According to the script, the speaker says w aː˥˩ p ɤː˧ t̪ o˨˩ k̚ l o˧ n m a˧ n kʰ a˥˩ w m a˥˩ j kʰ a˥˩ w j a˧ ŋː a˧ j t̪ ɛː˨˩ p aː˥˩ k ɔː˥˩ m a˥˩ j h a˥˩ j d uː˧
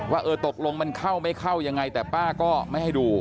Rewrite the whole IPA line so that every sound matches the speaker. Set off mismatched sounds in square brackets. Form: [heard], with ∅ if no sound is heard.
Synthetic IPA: w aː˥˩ [ʔ] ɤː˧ t̪ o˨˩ k̚ l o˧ [ŋ] m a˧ n kʰ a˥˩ w m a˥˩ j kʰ a˥˩ w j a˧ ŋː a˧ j t̪ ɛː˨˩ p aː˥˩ k ɔː˥˩ m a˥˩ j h a˥˩ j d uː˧